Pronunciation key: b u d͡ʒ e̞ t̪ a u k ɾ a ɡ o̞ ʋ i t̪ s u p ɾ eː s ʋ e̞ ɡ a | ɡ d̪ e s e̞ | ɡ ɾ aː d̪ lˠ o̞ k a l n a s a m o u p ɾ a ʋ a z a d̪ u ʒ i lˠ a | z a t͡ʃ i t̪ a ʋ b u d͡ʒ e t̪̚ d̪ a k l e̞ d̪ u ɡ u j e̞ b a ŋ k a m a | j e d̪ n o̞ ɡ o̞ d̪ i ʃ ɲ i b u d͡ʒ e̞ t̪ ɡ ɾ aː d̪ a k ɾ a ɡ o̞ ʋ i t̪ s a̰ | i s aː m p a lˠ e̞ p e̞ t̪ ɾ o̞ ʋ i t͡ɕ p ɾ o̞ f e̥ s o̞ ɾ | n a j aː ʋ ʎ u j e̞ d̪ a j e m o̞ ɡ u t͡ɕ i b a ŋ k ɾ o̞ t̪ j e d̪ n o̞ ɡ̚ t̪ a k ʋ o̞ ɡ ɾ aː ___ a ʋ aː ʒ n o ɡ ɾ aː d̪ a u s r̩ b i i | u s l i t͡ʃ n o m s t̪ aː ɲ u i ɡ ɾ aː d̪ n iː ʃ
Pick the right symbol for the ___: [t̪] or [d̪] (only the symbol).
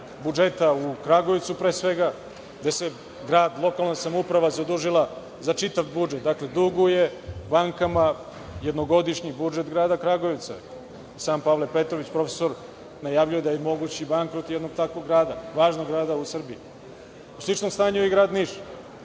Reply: d̪